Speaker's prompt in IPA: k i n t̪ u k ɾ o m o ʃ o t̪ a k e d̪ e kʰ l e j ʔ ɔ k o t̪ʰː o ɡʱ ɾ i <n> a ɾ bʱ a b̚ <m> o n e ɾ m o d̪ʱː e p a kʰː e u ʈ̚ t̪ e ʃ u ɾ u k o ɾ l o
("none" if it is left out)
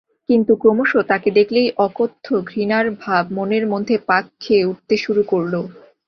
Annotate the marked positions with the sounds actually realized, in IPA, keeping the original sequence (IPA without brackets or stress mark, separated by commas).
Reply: n, m